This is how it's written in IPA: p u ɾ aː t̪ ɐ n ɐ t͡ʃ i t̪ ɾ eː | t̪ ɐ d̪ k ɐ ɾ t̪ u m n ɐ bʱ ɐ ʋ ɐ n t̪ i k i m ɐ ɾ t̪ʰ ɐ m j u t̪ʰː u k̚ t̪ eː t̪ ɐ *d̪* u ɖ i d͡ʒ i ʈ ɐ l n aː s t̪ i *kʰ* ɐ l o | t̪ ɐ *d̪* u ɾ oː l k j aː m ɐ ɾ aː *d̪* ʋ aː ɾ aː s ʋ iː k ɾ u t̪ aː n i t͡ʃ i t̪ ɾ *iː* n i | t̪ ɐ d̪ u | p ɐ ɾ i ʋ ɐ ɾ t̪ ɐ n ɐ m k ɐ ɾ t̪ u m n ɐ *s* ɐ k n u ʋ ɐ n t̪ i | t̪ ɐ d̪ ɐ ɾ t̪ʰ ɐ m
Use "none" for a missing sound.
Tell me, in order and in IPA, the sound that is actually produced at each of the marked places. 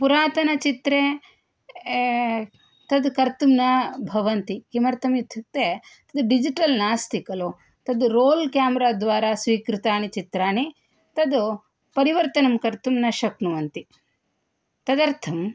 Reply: d̪, k, d̪, d̪, aː, ʃ

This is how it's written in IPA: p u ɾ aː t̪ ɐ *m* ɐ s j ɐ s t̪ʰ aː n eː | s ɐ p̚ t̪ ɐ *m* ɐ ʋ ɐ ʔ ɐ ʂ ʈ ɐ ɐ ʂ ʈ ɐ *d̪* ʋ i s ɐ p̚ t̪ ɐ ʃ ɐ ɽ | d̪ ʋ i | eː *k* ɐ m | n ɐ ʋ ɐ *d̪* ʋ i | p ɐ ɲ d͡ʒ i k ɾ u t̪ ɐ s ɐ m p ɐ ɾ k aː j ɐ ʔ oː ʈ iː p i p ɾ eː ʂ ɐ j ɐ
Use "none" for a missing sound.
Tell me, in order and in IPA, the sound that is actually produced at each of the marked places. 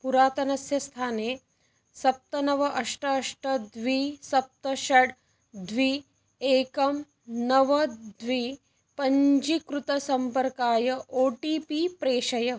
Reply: n, n, d̪, k, d̪

